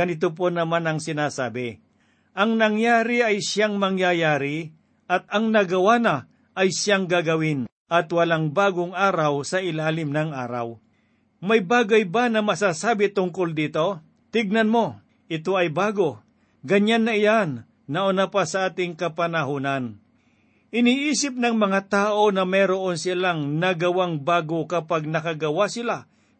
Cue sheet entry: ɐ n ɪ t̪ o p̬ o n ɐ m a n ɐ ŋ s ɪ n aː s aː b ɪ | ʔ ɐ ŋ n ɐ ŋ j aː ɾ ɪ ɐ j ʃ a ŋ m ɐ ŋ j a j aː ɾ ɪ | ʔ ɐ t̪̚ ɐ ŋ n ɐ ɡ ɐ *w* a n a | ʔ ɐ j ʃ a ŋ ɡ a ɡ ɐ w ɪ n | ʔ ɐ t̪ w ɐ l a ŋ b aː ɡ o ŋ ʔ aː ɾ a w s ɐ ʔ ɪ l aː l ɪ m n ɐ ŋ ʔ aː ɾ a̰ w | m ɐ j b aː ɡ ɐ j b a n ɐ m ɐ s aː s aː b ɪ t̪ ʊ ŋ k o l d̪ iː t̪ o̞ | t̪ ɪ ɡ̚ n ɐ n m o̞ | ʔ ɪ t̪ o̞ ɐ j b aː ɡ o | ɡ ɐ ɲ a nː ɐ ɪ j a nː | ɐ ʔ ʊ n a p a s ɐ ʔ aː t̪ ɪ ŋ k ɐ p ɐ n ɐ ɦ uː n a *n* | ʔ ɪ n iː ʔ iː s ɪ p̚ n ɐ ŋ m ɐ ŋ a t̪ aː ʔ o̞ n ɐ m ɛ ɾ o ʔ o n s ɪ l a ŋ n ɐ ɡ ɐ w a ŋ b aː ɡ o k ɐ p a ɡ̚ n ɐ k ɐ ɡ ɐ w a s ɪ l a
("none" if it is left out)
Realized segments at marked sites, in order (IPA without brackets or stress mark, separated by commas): w, n